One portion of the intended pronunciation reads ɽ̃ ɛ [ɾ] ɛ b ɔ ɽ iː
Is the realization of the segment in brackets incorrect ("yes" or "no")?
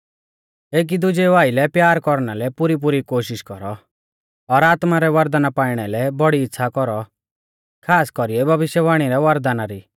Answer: yes